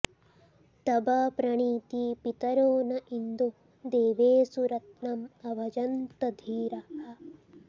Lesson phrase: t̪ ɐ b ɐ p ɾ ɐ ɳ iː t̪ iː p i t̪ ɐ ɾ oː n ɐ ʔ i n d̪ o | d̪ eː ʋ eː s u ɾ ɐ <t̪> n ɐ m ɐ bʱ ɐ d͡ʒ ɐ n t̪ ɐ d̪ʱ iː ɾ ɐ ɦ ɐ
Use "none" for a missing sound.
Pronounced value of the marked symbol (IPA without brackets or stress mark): t̪